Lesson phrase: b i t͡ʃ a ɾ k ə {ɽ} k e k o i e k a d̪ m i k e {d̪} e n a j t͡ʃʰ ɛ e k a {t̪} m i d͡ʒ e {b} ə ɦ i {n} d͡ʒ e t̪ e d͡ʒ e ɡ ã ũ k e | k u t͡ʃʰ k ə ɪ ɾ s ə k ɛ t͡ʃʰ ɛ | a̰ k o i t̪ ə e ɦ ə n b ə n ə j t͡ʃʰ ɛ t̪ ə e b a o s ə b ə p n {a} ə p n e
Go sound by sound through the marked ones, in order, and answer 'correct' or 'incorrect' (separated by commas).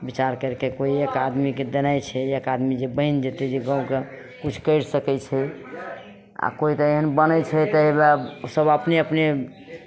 incorrect, correct, incorrect, correct, correct, incorrect